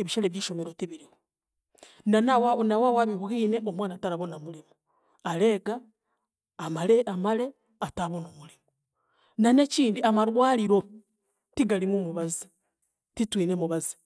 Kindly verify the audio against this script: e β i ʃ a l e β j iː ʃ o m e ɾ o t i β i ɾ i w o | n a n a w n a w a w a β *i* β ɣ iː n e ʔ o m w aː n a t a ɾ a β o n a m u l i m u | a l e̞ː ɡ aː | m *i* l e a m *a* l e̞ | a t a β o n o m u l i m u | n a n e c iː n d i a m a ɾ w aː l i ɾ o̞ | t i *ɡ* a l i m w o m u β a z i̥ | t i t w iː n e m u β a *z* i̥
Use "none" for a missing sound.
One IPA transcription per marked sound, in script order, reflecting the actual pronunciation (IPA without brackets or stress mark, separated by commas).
i, a, a, ɡ, z